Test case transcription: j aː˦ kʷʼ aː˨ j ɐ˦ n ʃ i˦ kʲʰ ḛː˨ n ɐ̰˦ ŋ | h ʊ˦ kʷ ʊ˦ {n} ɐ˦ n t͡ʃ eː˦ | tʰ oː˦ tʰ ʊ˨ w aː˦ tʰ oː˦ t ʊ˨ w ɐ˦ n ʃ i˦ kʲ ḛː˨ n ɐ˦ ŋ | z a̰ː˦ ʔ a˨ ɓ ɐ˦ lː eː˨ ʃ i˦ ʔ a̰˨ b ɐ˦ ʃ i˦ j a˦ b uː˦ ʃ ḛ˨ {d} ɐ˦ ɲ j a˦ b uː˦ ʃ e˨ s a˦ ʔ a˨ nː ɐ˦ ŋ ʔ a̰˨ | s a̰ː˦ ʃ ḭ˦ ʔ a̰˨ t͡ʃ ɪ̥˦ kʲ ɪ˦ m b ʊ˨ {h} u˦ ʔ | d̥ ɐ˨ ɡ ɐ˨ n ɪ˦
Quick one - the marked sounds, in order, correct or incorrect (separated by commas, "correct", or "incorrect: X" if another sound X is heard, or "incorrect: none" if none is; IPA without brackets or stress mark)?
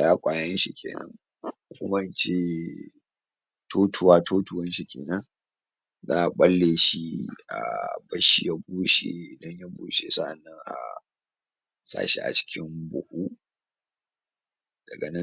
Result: incorrect: m, correct, correct